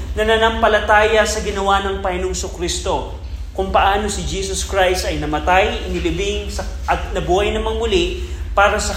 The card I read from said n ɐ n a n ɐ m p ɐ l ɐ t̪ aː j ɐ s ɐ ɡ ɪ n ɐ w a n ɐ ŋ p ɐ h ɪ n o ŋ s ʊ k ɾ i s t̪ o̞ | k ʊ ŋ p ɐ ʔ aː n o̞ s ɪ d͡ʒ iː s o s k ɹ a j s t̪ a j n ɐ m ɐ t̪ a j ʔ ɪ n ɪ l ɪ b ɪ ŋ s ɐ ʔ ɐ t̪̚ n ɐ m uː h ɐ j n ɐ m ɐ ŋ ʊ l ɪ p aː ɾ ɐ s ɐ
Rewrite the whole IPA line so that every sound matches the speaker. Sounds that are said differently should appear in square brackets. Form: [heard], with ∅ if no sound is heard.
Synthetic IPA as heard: n ɐ n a n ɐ m p ɐ l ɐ t̪ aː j ɐ s ɐ ɡ ɪ n ɐ w a n ɐ ŋ p ɐ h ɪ n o ŋ s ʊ k ɾ i s t̪ o̞ | k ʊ ŋ p ɐ ʔ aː n o̞ s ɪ d͡ʒ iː s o s k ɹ a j s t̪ [ɐ] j n ɐ m ɐ t̪ a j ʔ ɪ n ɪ l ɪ b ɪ ŋ s ɐ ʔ ɐ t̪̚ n ɐ [b] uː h ɐ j n ɐ m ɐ ŋ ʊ l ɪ p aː ɾ ɐ s ɐ